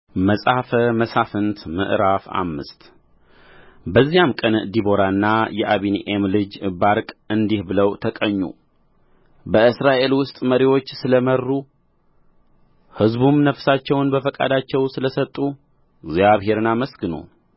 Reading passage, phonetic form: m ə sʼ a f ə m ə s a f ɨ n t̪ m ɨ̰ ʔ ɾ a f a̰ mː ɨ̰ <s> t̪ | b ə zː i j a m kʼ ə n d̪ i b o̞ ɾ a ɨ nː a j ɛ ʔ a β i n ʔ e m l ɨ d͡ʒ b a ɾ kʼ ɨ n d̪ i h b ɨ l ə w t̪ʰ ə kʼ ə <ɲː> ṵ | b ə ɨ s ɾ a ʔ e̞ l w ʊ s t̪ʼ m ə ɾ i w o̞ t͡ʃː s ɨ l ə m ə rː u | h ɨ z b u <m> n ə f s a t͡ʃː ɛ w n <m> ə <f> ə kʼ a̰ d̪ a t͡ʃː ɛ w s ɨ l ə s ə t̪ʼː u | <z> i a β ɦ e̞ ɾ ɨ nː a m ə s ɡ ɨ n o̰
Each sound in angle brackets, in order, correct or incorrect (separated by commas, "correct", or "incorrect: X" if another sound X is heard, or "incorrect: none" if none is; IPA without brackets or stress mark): correct, correct, correct, incorrect: b, correct, correct